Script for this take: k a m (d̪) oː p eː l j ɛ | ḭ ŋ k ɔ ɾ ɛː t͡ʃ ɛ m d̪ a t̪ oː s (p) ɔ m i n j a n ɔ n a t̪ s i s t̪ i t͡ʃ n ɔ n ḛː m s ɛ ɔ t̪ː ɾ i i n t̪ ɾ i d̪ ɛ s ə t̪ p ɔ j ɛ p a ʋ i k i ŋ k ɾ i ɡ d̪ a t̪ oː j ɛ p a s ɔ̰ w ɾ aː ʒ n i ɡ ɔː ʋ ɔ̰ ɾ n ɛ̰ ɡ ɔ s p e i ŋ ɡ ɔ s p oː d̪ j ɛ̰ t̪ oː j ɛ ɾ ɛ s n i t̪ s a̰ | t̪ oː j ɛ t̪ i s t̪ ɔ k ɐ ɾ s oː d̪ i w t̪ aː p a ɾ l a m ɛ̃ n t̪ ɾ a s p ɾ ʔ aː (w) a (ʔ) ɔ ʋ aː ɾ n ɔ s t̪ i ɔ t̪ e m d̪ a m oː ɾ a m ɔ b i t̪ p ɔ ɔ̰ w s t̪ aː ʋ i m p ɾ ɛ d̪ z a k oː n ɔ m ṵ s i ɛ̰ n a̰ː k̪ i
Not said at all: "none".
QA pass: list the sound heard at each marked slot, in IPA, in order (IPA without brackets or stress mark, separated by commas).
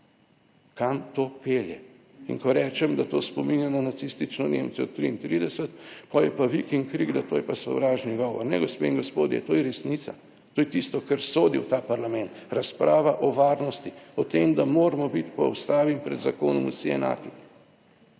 t̪, p, ʋ, ʔ